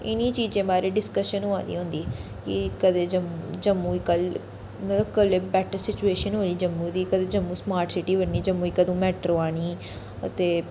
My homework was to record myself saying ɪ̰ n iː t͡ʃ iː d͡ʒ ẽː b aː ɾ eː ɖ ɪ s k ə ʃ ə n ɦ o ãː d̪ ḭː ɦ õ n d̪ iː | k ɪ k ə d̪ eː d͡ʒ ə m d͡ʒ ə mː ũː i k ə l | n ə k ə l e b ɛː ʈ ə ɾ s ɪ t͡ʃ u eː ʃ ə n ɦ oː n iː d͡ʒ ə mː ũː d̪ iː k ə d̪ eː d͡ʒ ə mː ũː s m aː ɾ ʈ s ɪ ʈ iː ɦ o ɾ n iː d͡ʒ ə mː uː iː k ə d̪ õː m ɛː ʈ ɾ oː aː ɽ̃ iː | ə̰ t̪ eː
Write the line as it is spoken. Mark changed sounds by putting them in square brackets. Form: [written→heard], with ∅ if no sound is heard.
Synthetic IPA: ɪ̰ n iː t͡ʃ iː d͡ʒ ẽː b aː ɾ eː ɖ ɪ s k ə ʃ ə n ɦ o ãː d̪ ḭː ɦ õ n d̪ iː | k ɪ k ə d̪ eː d͡ʒ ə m d͡ʒ ə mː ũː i k ə l | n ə k ə l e b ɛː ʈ ə ɾ s ɪ t͡ʃ u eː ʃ ə n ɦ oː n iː d͡ʒ ə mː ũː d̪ iː k ə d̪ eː d͡ʒ ə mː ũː s m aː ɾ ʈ s ɪ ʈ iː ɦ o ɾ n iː d͡ʒ ə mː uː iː k ə d̪ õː m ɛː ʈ ɾ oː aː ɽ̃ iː | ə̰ t̪ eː